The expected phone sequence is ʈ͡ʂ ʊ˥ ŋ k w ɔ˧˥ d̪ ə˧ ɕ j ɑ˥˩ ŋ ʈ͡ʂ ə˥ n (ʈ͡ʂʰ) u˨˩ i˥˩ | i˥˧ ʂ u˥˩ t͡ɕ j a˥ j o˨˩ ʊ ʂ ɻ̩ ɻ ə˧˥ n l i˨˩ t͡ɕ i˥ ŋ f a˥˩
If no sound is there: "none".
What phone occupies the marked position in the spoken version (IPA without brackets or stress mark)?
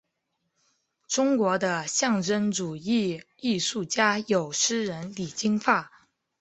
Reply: ʈ͡ʂ